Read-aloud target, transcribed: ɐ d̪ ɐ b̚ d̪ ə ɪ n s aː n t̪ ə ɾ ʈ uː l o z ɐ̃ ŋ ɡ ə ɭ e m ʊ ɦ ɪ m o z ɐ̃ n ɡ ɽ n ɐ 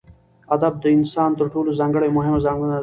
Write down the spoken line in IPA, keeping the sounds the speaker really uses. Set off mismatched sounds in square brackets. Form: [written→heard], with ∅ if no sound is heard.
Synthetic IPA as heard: ɐ d̪ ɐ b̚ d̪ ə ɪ n s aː n t̪ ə ɾ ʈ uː l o z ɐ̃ ŋ ɡ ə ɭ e m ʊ ɦ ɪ m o z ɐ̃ [n→ŋ] ɡ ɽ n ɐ